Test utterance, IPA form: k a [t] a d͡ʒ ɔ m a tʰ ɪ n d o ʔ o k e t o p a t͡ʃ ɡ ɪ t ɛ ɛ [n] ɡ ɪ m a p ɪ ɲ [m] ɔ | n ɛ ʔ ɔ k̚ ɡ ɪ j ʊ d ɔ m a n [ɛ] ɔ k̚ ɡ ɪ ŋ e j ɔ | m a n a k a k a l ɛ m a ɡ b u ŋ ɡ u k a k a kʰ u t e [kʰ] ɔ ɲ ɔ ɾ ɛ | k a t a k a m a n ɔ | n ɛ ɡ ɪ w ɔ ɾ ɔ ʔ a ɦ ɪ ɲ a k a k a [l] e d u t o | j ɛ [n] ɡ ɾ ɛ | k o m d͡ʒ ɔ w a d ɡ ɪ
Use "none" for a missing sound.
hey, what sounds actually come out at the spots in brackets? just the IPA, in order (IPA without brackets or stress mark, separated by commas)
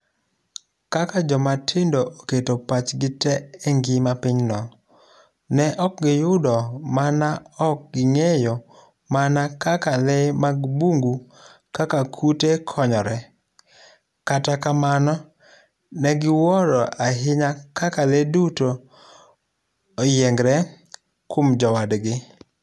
k, ŋ, n, a, kʰ, l, ŋ